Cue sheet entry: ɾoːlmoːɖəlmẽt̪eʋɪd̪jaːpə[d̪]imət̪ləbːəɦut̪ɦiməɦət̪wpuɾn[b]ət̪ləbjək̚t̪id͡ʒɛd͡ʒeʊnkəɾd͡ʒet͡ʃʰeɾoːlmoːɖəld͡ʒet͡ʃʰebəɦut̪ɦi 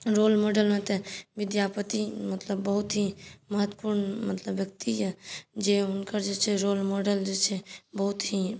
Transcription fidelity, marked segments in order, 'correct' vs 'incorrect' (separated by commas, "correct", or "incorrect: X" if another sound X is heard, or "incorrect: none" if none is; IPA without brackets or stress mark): incorrect: t̪, incorrect: m